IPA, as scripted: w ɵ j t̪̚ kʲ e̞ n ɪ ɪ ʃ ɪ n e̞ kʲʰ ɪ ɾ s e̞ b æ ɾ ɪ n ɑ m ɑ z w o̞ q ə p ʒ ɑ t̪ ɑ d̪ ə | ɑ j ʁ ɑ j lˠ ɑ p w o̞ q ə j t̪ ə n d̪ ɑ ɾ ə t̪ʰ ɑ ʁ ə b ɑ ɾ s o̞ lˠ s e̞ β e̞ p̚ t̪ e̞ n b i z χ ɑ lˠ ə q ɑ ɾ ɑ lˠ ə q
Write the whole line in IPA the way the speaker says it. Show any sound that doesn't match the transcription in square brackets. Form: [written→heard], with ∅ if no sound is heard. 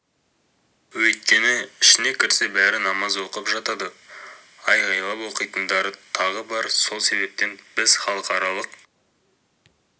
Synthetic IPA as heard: w ɵ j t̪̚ kʲ e̞ n ɪ ɪ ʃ ɪ n e̞ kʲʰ ɪ ɾ s e̞ b æ ɾ ɪ n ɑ m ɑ z w o̞ q ə p ʒ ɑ t̪ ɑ d̪ ə | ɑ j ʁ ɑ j lˠ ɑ p w o̞ q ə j t̪ ə n d̪ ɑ ɾ ə t̪ʰ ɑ ʁ ə b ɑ ɾ s o̞ lˠ s e̞ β e̞ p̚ t̪ e̞ n b [i→ɪ] z χ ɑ lˠ ə q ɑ ɾ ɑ lˠ ə q